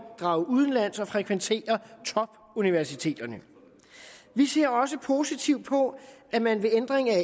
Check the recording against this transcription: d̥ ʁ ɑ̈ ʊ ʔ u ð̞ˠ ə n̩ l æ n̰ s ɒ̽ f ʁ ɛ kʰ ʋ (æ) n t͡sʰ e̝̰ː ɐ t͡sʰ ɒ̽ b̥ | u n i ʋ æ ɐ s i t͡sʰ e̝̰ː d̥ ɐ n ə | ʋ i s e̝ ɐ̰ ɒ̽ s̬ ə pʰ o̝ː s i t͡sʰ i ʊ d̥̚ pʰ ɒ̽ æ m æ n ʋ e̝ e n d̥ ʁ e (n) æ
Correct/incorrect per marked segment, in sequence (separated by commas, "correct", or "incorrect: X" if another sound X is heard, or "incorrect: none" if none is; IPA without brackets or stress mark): incorrect: e, incorrect: ŋ